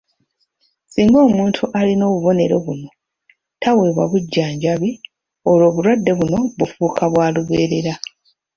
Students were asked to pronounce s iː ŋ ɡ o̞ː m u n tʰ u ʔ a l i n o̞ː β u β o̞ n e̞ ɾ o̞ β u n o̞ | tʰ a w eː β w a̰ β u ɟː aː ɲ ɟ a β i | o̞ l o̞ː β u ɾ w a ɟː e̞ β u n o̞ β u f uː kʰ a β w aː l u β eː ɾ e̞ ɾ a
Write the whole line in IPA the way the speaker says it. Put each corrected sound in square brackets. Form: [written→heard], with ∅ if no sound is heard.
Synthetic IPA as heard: s iː ŋ ɡ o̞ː m [u→uː] n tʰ u ʔ a l i n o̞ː β u β o̞ n e̞ ɾ o̞ β u n o̞ | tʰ a w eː β w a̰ β u ɟː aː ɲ ɟ a β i | o̞ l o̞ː β u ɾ w a [ɟː→dː] e̞ β u n o̞ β u f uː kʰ a β w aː l u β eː ɾ e̞ ɾ a